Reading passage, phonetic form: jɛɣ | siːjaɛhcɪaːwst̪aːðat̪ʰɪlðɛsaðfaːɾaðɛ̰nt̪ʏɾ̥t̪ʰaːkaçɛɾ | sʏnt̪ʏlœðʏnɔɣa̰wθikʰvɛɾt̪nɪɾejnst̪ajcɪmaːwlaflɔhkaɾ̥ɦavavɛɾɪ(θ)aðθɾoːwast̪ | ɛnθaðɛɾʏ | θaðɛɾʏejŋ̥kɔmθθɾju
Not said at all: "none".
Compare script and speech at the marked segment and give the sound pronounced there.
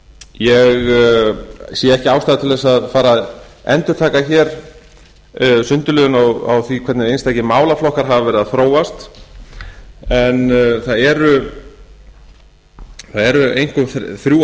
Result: ð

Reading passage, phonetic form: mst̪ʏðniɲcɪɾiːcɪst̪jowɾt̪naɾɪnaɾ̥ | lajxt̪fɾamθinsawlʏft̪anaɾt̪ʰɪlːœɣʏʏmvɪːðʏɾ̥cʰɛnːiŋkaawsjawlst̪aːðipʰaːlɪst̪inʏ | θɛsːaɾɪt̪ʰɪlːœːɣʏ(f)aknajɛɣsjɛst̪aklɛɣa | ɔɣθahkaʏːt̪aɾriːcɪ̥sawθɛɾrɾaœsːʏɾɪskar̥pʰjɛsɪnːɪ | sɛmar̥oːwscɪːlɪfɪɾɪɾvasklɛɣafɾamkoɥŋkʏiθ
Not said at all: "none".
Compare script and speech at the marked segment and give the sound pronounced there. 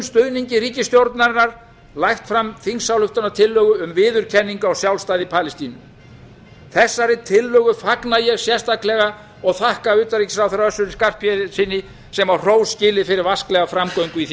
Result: f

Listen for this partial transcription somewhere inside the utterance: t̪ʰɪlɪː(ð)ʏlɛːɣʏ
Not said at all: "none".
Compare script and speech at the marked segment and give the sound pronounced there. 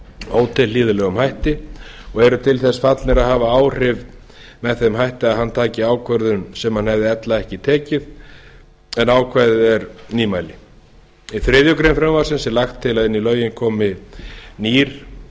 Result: ð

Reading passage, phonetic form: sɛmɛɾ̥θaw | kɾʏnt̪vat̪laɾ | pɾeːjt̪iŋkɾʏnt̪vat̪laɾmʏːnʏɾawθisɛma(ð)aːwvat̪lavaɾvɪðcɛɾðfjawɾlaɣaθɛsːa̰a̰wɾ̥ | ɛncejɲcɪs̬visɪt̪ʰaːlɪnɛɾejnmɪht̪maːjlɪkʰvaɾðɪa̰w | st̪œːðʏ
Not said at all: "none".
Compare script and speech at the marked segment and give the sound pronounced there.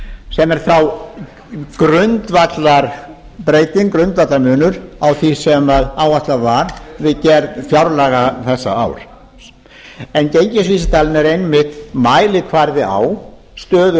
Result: ð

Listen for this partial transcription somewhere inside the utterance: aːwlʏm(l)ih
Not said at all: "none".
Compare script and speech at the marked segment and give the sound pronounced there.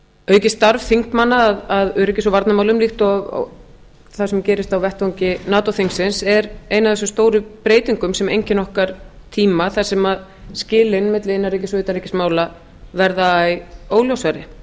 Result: l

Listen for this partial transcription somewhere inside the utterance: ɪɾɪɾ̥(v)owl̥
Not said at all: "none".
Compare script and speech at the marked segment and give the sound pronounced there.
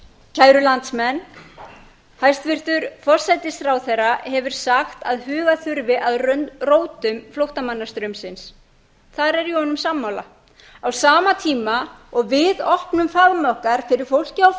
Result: f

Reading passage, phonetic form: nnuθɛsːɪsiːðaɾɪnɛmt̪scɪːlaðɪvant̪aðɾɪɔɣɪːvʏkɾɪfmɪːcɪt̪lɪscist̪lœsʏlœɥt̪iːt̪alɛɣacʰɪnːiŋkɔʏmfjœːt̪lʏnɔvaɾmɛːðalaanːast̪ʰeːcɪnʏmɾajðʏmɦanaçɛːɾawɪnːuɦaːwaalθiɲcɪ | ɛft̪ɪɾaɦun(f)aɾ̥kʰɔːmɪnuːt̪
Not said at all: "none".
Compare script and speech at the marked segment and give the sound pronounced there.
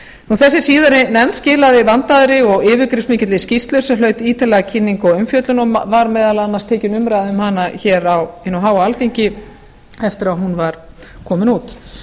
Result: v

